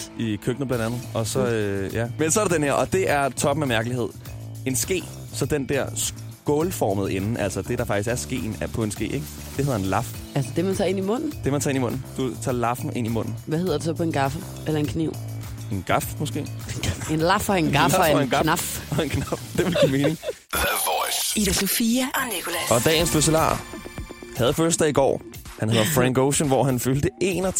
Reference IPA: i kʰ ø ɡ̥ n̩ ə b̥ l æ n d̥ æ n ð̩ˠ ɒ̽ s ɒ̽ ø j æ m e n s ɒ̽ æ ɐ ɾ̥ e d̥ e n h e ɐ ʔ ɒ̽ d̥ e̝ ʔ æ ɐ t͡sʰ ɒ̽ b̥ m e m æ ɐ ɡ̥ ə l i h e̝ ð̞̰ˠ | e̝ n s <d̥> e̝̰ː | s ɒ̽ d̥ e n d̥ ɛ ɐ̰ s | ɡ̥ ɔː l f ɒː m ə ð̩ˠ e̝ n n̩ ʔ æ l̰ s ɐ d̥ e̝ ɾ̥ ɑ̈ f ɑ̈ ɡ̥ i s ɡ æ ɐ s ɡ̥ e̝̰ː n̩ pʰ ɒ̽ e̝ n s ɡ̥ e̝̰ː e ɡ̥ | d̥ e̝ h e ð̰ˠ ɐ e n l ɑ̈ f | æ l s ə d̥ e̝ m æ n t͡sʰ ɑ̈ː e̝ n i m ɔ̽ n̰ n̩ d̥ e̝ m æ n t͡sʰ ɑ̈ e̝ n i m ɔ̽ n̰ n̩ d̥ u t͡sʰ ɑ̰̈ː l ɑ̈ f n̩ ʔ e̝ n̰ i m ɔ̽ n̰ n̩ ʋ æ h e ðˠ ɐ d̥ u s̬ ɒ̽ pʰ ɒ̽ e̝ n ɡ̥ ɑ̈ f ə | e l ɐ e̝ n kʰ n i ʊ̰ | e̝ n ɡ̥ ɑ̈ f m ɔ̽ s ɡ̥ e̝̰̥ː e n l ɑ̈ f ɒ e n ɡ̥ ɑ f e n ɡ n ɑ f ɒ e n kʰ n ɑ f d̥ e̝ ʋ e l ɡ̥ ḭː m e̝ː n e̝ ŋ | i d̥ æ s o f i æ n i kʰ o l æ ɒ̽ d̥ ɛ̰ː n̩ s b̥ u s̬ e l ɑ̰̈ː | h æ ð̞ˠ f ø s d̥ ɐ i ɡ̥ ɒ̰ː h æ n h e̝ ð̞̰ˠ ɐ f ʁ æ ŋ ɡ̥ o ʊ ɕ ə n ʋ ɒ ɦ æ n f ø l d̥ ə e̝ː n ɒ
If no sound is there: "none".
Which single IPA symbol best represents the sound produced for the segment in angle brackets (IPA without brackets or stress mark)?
ɡ̥